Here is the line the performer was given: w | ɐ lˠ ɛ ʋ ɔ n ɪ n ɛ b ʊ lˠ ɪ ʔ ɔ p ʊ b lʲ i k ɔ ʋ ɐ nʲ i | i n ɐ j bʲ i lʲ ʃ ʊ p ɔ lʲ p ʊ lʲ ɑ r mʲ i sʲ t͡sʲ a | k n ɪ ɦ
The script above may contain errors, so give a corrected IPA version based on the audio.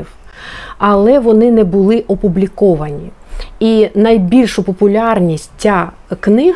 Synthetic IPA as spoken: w | ɐ lˠ ɛ ʋ ɔ n ɪ n ɛ b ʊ lˠ ɪ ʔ ɔ p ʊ b lʲ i k ɔ ʋ ɐ nʲ i | i n ɐ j bʲ i lʲ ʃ ʊ p ɔ p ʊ lʲ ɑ r nʲ i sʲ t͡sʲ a | k n ɪ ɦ